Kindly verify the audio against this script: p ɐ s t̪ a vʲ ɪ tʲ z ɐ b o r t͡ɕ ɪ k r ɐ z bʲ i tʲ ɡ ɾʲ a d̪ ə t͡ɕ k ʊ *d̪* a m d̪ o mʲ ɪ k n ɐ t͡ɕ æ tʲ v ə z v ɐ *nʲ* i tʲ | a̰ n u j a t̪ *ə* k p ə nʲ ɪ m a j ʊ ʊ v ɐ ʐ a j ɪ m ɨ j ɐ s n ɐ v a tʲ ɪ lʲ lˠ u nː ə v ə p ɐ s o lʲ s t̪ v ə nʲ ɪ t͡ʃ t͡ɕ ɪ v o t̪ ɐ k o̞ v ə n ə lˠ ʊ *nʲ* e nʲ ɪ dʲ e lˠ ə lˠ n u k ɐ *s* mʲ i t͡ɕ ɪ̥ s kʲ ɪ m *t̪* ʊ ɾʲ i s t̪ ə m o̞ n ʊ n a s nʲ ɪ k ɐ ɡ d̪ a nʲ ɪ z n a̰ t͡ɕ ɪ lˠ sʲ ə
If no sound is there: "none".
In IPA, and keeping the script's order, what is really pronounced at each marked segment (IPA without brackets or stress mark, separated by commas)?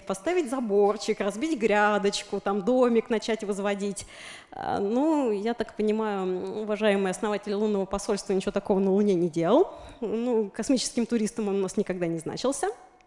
t̪, dʲ, a, nʲ, s, t̪